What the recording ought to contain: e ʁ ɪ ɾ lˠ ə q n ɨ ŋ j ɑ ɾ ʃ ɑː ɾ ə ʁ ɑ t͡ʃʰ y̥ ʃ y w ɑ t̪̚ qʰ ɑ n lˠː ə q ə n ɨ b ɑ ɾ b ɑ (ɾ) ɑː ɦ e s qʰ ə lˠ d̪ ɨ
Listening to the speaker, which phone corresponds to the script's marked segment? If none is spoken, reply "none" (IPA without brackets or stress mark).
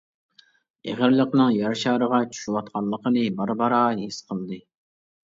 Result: ɾ